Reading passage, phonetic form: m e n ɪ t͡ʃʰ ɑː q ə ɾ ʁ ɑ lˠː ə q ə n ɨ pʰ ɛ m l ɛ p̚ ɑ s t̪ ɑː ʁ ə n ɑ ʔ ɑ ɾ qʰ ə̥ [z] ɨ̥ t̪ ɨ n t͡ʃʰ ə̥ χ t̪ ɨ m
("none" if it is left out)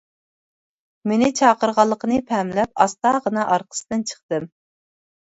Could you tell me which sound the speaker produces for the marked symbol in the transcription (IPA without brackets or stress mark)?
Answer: s